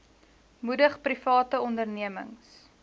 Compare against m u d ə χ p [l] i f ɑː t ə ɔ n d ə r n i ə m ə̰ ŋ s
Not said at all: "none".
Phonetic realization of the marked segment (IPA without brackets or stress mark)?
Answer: r